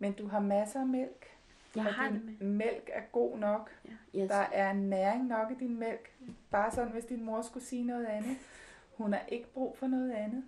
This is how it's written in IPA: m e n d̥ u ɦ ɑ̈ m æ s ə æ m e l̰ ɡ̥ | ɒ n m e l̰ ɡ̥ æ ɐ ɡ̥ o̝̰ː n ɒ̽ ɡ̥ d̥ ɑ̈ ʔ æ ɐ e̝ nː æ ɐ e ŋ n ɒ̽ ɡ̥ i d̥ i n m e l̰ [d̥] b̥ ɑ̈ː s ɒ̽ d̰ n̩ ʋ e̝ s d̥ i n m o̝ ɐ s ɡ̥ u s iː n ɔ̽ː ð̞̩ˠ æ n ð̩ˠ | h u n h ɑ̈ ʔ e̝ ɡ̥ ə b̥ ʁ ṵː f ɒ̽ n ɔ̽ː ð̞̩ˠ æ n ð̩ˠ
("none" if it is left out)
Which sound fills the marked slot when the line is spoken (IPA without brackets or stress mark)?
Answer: ɡ̥